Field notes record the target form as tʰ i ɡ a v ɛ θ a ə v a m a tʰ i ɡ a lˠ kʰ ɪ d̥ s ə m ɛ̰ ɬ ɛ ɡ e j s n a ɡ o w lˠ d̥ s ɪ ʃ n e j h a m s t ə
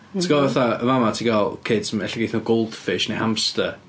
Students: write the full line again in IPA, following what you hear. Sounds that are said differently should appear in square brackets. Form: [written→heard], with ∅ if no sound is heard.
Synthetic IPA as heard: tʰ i ɡ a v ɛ θ a ə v a m a tʰ i ɡ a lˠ kʰ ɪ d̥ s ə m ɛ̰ ɬ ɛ ɡ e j [s→θ] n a ɡ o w lˠ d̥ [s→f] ɪ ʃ n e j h a m s t ə